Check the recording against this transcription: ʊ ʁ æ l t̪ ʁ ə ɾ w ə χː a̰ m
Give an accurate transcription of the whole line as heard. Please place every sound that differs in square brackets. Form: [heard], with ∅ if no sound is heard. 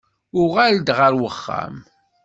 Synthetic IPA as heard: ʊ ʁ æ l [d̪] ʁ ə ɾ w ə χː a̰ m

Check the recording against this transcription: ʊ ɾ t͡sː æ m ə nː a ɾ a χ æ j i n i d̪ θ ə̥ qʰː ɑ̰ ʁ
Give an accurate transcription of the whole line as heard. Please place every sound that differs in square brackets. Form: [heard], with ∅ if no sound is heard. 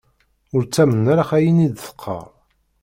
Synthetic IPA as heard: ʊ ɾ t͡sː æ m ə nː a ɾ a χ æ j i n i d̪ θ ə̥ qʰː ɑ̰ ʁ

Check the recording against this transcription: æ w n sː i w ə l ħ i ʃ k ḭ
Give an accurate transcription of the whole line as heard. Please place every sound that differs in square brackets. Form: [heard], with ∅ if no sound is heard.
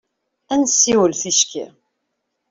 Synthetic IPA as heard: æ [∅] n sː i w ə l [θ] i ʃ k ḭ

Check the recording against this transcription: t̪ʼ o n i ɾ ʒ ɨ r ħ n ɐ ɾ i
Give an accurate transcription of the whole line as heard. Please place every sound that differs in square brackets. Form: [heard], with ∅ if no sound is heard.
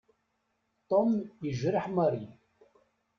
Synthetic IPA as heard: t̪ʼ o [m] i [∅] ʒ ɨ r ħ [m] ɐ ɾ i

